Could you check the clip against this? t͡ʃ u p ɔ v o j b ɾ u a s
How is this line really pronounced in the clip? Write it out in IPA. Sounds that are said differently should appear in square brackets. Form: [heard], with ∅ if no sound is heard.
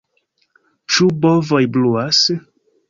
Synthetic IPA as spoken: t͡ʃ u [b] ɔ v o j b [l] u a s